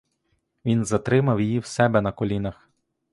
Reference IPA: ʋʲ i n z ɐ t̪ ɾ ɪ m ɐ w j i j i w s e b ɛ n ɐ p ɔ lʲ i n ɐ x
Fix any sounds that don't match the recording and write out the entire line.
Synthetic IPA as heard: ʋʲ i n z ɐ t̪ ɾ ɪ m ɐ w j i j i w s ɛ b ɛ n ɐ k ɔ lʲ i n ɐ x